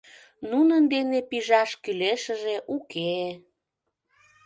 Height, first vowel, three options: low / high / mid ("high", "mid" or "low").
high